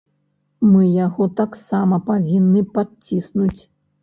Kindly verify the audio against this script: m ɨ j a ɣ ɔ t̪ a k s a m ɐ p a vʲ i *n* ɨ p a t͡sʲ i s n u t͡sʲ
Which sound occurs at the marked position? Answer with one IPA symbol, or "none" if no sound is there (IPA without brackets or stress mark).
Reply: nː